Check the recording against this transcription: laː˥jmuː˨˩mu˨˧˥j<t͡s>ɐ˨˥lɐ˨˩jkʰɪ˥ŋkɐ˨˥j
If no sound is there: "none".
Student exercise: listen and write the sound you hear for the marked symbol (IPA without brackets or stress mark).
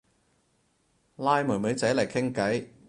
t͡s